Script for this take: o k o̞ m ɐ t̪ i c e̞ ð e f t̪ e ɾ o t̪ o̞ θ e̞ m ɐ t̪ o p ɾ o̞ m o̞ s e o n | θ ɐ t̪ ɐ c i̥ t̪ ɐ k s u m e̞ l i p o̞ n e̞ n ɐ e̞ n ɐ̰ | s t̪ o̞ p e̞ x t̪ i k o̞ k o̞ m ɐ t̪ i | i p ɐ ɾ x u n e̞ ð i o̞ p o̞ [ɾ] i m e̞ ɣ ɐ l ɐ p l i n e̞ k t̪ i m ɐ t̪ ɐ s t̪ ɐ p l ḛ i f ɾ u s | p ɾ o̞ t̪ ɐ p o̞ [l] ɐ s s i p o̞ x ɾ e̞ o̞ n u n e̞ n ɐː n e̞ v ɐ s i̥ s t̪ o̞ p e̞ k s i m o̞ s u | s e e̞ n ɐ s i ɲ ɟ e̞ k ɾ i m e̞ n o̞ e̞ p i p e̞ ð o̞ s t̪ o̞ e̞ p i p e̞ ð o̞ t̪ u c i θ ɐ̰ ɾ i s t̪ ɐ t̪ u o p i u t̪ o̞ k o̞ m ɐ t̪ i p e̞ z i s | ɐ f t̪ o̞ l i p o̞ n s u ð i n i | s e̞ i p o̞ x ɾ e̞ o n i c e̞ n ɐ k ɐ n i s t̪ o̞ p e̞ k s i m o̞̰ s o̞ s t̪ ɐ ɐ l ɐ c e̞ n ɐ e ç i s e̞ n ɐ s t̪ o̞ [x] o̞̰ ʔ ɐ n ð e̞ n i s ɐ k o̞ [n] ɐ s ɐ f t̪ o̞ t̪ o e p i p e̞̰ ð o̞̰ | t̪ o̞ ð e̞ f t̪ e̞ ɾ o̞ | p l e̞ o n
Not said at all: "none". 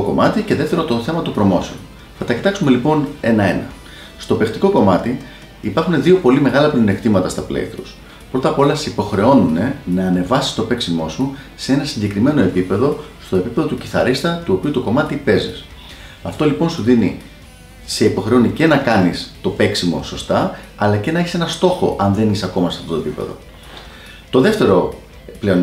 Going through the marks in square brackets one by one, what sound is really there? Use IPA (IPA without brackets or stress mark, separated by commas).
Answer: l, l, x, m